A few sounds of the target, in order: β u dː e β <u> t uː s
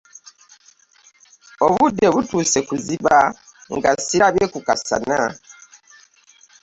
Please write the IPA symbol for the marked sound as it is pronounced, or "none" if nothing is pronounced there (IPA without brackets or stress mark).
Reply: u